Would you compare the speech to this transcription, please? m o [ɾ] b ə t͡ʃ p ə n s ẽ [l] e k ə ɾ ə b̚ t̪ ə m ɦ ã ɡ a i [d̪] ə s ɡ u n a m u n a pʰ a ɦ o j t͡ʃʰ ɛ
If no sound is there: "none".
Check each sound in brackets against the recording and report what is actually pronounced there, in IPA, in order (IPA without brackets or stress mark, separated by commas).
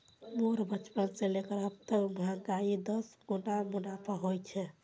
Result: ɾ, l, d̪